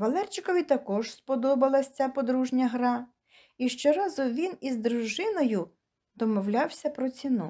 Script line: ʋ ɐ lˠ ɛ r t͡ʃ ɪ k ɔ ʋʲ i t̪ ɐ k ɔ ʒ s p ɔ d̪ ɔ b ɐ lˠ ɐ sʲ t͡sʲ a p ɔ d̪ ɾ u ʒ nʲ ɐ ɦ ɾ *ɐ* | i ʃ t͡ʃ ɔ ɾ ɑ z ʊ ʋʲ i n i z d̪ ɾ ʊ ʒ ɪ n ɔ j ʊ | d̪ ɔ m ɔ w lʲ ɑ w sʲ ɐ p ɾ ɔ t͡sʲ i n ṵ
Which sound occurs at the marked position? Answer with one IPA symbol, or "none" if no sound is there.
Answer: ɑ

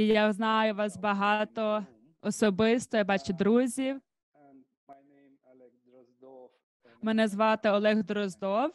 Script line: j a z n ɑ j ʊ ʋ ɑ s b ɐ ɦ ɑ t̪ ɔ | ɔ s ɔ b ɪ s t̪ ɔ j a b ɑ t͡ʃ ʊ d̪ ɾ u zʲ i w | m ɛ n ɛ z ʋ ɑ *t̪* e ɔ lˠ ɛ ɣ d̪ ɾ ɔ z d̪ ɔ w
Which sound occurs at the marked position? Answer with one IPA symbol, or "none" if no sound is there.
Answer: t̪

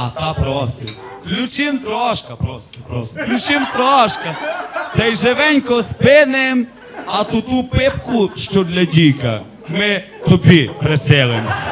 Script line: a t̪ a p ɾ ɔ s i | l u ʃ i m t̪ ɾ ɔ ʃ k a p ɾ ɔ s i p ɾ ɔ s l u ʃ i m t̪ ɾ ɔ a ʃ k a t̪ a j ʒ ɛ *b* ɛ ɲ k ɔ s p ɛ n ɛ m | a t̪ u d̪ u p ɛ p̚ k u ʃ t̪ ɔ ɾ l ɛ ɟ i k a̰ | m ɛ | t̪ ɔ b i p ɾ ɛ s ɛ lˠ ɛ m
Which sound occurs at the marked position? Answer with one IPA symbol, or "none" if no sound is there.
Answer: v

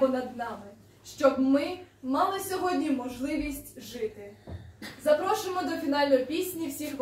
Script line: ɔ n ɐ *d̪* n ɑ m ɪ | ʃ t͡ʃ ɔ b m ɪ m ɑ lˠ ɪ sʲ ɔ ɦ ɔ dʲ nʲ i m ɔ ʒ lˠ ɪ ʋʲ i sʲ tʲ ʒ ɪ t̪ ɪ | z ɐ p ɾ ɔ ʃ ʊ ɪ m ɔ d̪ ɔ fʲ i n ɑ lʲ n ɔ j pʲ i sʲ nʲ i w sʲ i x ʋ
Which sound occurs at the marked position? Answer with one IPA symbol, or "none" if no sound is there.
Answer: d̪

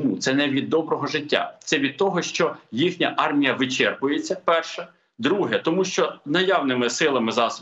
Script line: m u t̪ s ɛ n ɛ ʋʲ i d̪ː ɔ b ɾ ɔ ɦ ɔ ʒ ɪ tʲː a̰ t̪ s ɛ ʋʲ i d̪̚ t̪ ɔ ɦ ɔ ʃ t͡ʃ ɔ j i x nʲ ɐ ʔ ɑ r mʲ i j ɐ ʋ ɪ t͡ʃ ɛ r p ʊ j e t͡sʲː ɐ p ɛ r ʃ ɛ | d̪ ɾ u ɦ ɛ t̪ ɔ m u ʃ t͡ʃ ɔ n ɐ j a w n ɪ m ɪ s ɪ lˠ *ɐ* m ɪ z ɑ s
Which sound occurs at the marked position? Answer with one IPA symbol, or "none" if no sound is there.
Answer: ɐ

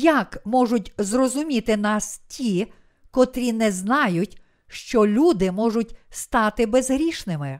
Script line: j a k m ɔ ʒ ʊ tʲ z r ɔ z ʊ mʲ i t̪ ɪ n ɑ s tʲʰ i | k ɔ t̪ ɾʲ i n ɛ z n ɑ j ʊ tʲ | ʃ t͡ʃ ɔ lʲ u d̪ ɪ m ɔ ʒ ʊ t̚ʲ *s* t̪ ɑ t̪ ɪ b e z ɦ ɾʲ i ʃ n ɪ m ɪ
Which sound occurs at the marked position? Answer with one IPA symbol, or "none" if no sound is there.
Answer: s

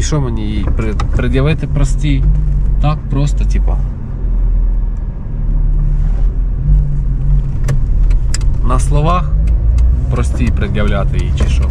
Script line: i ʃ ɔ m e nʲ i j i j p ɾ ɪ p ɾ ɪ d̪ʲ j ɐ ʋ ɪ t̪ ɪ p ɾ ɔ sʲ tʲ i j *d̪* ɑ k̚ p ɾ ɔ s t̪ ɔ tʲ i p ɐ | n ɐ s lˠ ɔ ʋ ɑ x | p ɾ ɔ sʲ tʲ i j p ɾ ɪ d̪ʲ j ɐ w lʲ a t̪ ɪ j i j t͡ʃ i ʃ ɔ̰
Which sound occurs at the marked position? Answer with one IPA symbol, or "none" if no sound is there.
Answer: t̪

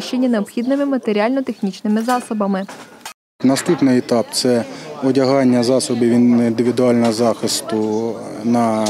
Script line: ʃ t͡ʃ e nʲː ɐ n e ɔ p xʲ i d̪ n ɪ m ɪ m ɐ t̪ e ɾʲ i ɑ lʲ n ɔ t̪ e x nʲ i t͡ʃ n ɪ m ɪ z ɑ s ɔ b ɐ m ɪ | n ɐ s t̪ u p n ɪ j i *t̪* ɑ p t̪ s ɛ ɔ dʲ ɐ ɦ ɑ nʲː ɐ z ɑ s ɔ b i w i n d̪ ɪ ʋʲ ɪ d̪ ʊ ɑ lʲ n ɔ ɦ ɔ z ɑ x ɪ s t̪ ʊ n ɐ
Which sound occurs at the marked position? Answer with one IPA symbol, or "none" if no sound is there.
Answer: t̪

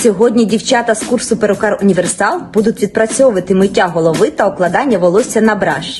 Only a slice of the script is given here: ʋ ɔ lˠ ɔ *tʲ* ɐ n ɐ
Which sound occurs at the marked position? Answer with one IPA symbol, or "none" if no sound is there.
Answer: sʲ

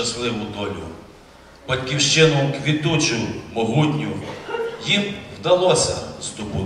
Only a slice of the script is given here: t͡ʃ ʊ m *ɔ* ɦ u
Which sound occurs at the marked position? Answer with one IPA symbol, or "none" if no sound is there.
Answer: ɔ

